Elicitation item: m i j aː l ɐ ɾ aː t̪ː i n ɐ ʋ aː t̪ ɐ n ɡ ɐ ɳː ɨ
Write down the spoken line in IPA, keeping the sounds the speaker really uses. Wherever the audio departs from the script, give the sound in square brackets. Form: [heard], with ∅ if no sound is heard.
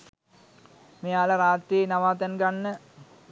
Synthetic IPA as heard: m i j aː l ɐ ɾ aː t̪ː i n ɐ ʋ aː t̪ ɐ n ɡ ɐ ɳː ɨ